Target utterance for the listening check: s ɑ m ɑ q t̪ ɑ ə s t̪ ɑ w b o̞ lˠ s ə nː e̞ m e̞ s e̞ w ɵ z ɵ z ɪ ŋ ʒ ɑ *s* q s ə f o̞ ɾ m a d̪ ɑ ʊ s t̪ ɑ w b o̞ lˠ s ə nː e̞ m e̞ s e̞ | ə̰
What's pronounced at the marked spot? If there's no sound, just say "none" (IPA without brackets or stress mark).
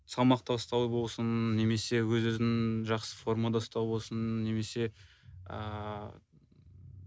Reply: none